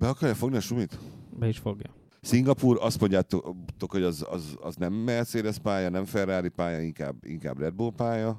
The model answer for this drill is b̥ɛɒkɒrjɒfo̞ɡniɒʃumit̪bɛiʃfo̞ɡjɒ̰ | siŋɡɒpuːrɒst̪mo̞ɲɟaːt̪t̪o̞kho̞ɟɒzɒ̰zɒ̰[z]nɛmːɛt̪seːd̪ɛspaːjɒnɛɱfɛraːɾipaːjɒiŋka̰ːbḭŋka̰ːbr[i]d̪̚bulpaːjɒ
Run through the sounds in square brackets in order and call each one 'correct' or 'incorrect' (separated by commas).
correct, incorrect